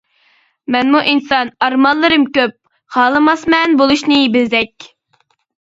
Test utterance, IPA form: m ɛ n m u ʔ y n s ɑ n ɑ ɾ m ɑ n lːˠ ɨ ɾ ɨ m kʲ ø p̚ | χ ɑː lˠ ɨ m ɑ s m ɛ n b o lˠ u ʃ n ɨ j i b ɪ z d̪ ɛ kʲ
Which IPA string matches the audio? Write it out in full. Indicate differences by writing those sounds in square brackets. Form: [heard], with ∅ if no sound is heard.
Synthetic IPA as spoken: m ɛ n m u ʔ [i] n s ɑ n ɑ ɾ m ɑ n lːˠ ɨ ɾ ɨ m kʲ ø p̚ | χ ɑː lˠ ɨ m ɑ s m ɛ n b o lˠ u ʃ n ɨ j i b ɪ z d̪ ɛ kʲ